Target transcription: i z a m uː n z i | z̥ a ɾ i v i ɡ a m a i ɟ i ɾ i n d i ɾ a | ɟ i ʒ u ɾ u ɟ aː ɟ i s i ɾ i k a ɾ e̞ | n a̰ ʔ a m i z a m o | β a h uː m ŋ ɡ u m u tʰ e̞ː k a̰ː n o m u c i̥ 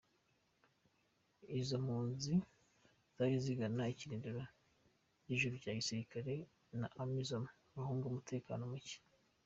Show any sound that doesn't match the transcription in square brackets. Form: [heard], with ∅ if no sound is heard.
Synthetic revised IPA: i z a m uː n z i | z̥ a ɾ i [z] i ɡ a [n] a i [c] i ɾ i n d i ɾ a | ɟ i ʒ u ɾ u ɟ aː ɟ i s i ɾ i k a ɾ e̞ | n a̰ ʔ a m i z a m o | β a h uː [∅] ŋ ɡ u m u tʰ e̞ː k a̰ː n o m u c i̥